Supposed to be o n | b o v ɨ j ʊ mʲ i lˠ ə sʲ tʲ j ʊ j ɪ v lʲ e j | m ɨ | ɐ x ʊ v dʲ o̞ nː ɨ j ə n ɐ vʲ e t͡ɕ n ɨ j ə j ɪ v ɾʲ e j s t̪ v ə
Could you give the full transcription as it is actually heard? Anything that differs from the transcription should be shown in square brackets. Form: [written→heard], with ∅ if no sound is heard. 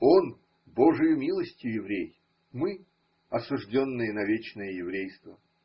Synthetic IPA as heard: o n | b o [v→ʐ] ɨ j ʊ mʲ i lˠ ə sʲ tʲ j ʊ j ɪ v [lʲ→ɾʲ] e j | m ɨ | ɐ [x→s] ʊ [v→ʐ] dʲ o̞ nː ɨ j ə n ɐ vʲ e t͡ɕ n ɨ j ə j ɪ v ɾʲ e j s t̪ v ə